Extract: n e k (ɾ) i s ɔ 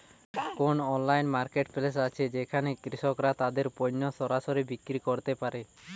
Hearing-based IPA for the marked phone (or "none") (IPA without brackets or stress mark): ɾ